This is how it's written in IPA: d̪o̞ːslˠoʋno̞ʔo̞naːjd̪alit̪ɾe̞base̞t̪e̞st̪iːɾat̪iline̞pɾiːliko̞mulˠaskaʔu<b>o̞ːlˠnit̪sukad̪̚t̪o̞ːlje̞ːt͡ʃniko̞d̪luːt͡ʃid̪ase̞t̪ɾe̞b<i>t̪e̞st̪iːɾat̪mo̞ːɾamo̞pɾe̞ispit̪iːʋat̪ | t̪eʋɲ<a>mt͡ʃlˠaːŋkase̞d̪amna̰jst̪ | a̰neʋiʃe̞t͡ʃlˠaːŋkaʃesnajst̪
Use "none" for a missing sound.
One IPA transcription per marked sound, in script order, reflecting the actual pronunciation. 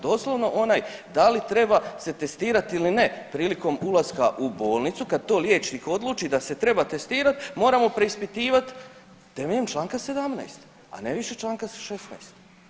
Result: b, a, e

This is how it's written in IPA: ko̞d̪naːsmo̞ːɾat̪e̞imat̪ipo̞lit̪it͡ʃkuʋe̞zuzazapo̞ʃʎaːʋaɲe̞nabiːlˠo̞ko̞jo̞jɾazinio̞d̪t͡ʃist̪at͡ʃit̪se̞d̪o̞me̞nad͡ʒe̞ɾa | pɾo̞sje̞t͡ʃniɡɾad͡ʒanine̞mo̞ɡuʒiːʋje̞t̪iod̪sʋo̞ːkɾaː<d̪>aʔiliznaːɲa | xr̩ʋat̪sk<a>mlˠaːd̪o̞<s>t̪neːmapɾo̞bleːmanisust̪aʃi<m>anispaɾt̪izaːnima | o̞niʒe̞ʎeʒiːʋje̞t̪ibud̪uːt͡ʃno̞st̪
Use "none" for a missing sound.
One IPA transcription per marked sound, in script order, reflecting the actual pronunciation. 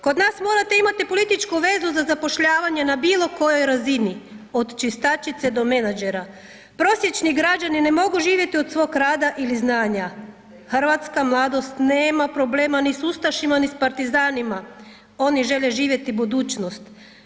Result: d̪, a, s, m

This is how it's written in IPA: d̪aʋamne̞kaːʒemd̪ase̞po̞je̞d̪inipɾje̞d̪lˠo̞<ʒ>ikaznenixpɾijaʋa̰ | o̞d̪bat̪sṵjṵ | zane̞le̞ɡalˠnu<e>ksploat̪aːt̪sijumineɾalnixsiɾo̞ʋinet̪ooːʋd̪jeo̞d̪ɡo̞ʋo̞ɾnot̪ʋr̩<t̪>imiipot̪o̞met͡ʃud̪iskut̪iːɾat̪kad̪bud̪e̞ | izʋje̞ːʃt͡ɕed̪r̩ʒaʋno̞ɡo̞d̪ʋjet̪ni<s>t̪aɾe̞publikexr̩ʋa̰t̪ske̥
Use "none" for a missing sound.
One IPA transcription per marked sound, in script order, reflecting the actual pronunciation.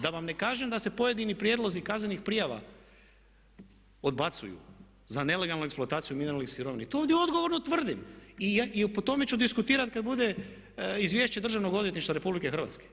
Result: z, e, d̪, ʃ

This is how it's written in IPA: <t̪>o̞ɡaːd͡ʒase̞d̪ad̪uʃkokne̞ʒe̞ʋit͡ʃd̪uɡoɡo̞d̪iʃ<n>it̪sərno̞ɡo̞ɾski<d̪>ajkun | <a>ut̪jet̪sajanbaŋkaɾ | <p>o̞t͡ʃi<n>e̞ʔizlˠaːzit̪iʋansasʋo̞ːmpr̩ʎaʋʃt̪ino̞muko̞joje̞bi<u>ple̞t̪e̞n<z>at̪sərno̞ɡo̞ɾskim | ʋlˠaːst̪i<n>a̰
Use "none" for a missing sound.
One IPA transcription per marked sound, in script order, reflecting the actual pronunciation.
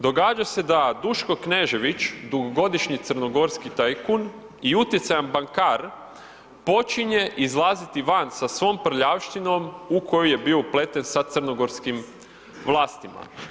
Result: d̪, ɲ, t̪, i, p, ɲ, o, s, m

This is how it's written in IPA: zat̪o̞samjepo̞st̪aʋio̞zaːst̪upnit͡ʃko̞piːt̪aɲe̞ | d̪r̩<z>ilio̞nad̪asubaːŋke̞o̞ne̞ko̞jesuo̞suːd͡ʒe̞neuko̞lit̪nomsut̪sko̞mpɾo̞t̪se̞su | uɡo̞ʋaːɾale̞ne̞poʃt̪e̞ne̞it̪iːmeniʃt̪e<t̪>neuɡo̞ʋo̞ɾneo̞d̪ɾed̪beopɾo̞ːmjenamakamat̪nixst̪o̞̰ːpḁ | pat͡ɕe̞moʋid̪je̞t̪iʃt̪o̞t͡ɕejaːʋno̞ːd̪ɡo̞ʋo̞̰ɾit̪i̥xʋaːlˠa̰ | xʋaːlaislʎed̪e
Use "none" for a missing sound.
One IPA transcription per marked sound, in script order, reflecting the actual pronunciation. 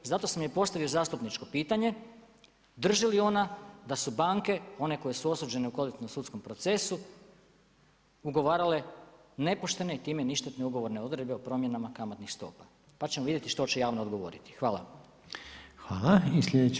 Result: ʒ, t̪

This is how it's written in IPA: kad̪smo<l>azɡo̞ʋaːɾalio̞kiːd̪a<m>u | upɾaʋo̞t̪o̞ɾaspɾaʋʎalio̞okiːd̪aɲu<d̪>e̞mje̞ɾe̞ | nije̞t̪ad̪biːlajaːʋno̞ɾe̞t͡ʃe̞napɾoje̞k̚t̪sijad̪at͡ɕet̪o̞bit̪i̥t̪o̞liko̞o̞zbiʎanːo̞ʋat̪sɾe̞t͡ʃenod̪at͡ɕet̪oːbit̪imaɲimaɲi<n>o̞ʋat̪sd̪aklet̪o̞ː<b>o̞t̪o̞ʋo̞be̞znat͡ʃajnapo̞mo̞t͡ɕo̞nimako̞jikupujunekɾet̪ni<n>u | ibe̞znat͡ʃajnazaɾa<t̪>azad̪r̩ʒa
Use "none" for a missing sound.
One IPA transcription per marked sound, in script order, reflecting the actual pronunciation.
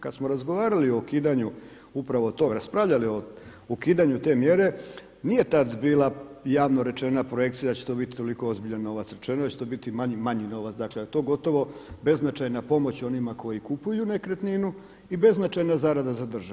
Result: ɾ, ɲ, t̪, n, ɡ, n, d̪

